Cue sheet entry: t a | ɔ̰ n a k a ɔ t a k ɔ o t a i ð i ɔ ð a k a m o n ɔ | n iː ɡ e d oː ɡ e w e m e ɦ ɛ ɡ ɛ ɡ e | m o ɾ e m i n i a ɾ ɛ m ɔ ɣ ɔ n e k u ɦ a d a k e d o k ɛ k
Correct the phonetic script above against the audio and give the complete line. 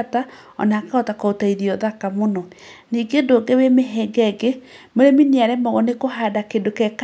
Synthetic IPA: t a | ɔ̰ n a k a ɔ t a k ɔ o t a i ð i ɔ ð a k a m o n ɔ | n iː ɡ e d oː ɡ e w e m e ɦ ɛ ɡ ɛ ɡ e | m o ɾ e m i n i a ɾ ɛ m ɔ ɣ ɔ n e k o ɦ a d a k e d o k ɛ k